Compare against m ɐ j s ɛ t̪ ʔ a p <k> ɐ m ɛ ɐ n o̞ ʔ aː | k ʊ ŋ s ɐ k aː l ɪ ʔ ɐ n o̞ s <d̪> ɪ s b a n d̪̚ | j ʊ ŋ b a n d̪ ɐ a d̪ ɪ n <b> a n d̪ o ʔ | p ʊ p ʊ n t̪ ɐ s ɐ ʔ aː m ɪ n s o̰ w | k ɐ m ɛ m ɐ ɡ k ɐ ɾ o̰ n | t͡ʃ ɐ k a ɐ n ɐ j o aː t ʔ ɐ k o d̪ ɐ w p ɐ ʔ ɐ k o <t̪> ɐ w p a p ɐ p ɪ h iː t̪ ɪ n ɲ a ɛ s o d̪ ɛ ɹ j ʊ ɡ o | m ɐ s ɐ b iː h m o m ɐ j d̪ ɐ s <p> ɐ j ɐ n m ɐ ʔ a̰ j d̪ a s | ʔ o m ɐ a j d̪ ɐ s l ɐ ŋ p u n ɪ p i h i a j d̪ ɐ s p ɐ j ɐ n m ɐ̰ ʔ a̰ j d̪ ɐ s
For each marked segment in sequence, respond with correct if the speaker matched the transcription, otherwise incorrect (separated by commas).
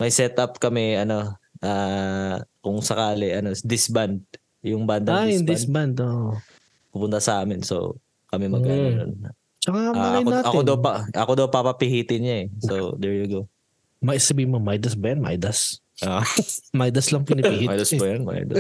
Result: correct, correct, correct, incorrect, incorrect